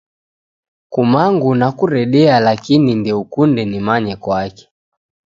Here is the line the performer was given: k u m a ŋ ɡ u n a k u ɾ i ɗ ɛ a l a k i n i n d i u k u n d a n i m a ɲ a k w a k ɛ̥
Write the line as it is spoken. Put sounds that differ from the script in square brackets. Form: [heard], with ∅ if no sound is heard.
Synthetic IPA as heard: k u m a ŋ ɡ u n a k u ɾ [ɛ] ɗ ɛ a l a k i n i n d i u k u n d [ɛ] n i m a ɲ [ɛ] k w a k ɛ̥